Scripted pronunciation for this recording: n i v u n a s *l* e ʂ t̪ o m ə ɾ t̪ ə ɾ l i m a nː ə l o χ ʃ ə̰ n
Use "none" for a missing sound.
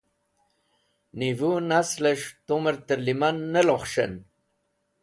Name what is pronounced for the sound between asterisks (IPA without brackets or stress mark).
l